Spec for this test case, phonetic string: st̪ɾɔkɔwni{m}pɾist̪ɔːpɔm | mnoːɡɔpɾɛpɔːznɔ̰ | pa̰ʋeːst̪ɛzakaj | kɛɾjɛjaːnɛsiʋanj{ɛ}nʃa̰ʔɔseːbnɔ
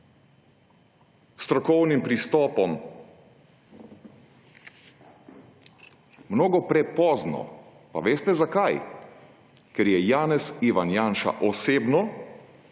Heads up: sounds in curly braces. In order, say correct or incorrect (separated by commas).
correct, incorrect